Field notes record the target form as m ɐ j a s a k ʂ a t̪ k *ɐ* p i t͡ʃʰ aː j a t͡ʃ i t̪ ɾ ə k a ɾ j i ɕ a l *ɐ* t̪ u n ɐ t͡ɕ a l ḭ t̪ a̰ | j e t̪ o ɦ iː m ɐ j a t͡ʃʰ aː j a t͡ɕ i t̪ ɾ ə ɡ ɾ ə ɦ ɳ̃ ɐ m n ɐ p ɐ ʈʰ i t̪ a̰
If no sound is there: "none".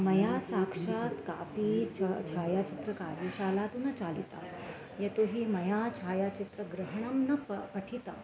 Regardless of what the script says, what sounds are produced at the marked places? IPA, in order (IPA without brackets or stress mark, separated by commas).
a, a